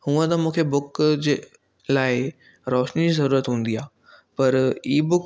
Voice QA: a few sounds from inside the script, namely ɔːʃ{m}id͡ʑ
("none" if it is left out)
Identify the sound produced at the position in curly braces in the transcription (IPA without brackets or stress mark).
n